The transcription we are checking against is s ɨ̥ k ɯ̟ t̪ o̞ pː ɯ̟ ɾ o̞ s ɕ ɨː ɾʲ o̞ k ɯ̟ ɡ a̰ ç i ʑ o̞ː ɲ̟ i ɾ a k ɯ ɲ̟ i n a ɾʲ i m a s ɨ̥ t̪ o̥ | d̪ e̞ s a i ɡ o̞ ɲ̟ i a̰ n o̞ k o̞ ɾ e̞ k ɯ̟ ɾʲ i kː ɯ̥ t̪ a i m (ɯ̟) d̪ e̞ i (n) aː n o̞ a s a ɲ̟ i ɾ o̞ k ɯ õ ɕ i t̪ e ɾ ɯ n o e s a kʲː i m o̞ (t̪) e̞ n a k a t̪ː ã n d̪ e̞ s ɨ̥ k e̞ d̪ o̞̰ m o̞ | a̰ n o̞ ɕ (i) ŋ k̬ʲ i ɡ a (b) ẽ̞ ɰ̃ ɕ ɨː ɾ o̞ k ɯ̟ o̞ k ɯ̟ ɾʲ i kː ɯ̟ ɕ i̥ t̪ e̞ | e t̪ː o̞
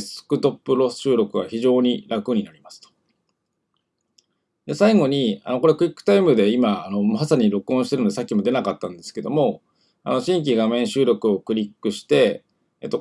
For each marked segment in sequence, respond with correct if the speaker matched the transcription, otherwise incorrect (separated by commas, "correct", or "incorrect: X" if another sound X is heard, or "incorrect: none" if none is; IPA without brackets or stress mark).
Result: correct, incorrect: m, incorrect: d̪, incorrect: ĩ, incorrect: m